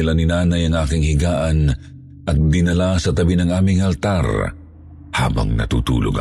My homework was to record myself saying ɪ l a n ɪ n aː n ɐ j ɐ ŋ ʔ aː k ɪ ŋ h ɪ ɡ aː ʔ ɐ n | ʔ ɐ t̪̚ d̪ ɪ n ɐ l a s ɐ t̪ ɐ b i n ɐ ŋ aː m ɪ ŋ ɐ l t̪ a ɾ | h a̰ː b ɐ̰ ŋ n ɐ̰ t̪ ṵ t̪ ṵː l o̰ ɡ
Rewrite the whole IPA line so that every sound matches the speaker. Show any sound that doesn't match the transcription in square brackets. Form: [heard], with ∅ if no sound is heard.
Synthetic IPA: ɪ l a n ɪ n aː n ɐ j ɐ ŋ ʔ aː k ɪ ŋ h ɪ ɡ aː ʔ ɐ n | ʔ ɐ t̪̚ d̪ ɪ n ɐ l a s ɐ t̪ ɐ b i n ɐ ŋ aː m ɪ ŋ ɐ l t̪ a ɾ | h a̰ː b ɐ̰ ŋ n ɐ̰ t̪ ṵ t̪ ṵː l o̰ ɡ